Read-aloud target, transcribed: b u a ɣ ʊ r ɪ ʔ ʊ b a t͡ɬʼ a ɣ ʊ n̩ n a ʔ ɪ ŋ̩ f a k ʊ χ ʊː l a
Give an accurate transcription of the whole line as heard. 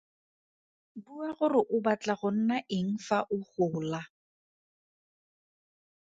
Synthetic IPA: b u a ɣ ʊ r ɪ ʔ ʊ b a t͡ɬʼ a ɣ ʊ n̩ n a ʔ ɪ ŋ̩ f a ʔ ʊ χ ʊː l a